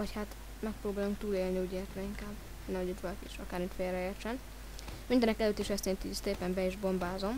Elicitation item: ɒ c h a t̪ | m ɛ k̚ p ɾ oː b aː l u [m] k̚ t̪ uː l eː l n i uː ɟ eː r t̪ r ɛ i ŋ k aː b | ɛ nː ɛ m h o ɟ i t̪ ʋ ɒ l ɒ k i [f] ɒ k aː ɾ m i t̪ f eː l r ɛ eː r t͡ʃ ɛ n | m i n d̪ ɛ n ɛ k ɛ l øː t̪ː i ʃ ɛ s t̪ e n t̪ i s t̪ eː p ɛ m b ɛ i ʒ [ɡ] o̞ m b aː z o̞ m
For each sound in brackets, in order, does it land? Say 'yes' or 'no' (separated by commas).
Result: no, no, no